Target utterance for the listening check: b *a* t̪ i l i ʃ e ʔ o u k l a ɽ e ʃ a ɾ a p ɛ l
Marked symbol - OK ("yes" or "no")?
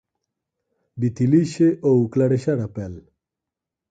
no